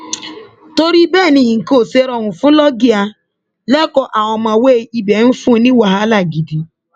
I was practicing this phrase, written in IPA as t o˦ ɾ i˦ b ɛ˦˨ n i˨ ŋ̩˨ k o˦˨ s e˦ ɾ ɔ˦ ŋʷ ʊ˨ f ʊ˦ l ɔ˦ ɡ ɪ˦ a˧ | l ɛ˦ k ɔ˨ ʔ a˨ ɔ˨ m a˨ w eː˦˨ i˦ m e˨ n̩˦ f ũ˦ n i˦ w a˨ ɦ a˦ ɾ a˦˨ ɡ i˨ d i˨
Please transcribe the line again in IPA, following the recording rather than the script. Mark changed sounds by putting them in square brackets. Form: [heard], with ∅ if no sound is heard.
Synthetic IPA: t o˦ ɾ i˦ b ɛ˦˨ n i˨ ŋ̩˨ k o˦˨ s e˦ ɾ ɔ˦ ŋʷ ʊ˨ f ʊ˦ l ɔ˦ ɡ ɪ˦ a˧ | l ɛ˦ k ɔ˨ ʔ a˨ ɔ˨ m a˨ w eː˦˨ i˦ [b] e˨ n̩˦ f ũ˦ n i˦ w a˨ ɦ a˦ [l] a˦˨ ɡ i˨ d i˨